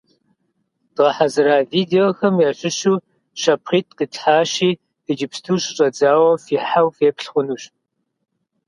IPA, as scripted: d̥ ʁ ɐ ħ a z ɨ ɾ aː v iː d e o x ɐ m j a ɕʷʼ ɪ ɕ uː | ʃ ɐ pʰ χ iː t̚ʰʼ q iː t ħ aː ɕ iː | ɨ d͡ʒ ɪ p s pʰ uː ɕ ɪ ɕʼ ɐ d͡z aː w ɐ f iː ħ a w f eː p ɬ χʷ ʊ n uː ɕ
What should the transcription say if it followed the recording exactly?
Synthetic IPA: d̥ ʁ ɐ ħ a z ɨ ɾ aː v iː d e o x ɐ m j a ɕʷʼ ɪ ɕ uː | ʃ ɐ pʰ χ iː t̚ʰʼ q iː t ħ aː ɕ iː | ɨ d͡ʒ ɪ p s tʰ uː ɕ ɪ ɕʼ ɐ d͡z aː w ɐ f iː ħ a w f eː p ɬ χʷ ʊ n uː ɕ

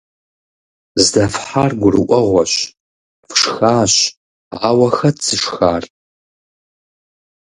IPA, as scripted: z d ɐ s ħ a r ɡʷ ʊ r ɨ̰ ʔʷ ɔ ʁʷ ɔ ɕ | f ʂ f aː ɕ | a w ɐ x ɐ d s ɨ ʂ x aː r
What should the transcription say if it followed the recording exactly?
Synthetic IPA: z d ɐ f ħ a r ɡʷ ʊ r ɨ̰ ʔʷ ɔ ʁʷ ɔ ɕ | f ʂ x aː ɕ | a w ɐ x ɐ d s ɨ ʂ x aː r

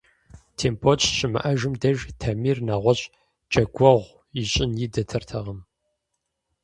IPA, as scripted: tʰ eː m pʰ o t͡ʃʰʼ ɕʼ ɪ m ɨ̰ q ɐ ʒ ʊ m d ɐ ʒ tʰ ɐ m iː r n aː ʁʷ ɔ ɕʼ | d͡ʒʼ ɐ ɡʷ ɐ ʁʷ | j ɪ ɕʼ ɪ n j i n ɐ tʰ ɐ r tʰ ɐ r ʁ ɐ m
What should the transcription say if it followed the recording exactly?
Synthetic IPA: tʰ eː m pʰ o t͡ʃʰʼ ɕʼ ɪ m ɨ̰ ʔ ɐ ʒ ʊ m d ɐ ʒ tʰ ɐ m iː r n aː ʁʷ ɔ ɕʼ | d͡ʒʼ ɐ ɡʷ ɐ ʁʷ | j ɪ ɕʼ ɪ n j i d ɐ tʰ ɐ r tʰ ɐ ʁ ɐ m

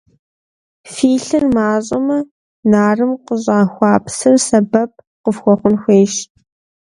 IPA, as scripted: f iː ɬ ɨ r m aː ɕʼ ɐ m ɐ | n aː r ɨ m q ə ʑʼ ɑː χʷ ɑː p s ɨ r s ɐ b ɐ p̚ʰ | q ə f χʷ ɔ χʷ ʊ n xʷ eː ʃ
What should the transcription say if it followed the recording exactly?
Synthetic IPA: f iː ɬ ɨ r m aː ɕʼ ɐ m ɐ | n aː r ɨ m q ə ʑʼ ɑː xʷ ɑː p s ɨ r s ɐ b ɐ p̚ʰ | q ə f xʷ ɔ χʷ ʊ n xʷ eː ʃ

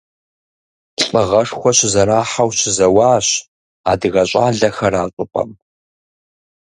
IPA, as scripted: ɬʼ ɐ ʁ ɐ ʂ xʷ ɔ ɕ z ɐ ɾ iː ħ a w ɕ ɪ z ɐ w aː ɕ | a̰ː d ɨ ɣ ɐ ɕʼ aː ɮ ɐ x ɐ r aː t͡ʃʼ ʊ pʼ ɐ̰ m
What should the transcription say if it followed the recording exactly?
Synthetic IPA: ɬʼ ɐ ʁ ɐ ʂ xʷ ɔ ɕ z ɐ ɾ aː ħ a w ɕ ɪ z ɐ w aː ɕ | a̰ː d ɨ ɣ ɐ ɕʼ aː ɮ ɐ x ɐ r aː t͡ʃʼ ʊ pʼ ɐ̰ m

